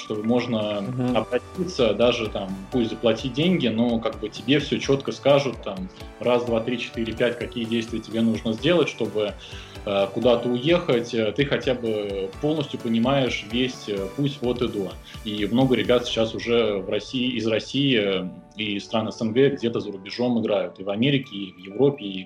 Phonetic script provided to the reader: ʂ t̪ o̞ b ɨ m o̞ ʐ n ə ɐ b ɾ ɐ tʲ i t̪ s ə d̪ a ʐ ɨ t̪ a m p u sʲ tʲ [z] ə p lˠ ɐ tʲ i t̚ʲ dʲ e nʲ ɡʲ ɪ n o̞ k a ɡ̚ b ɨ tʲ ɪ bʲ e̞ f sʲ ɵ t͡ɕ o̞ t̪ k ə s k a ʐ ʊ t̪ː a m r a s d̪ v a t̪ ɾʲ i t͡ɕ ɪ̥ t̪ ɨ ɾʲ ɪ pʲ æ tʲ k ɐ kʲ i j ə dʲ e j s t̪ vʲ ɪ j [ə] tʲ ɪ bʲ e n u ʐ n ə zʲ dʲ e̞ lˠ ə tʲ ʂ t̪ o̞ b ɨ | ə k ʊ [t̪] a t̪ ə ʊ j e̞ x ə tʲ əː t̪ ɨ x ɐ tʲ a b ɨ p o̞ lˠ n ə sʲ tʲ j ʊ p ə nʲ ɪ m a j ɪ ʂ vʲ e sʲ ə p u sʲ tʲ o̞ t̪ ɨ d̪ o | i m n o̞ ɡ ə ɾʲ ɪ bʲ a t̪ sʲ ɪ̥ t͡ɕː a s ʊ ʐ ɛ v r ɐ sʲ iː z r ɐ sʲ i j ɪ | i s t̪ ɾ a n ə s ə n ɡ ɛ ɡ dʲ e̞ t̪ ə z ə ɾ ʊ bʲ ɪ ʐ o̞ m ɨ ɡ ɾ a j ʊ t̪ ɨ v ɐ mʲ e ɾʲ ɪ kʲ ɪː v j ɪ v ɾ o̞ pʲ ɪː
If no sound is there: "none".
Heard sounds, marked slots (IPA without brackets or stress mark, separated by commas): z, ə, d̪